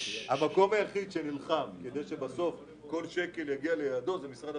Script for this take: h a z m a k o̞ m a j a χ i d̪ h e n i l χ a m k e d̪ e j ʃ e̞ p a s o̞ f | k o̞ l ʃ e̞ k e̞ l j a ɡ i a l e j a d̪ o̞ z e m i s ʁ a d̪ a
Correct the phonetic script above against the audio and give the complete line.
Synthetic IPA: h a m a k o̞ m a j a χ i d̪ ʃ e n i l χ a m k e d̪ e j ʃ e̞ b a s o̞ f | k o̞ l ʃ e̞ k e̞ l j a ɡ i a l e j a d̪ o̞ z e m i s ʁ a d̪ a